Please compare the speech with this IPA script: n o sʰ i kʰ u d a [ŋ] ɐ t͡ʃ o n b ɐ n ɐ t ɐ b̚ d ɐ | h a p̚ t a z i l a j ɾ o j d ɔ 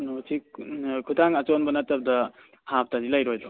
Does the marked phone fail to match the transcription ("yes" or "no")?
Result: no